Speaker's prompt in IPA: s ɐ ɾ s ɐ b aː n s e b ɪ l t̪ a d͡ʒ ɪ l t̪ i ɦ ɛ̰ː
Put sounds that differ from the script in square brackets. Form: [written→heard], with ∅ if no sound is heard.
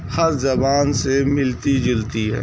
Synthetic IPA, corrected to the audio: [s→h] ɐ ɾ [s→z] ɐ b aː n s e [b→m] ɪ l t̪ [a→i] d͡ʒ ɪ l t̪ i ɦ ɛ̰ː